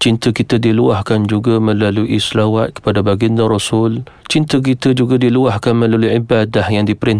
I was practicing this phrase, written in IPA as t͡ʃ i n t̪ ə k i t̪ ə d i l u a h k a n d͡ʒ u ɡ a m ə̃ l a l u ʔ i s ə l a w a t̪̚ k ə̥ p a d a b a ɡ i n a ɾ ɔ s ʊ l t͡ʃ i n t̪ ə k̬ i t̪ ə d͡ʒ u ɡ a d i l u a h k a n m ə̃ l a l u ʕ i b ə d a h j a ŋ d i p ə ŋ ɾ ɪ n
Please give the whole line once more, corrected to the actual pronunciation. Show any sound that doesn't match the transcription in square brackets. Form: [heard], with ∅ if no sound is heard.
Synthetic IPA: t͡ʃ i n t̪ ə k i t̪ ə d i l u a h k a n d͡ʒ u ɡ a m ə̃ l a l u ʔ i s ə l a w a t̪̚ k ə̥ p a d a b a ɡ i n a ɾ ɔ s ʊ l t͡ʃ i n t̪ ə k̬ i t̪ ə d͡ʒ u ɡ a d i l u a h k a n m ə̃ l a l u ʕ i b [a] d a h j a ŋ d i p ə [∅] ɾ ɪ n